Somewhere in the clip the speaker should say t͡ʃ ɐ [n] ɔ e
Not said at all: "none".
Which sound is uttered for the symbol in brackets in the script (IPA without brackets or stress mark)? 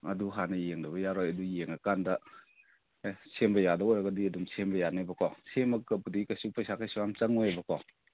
ŋ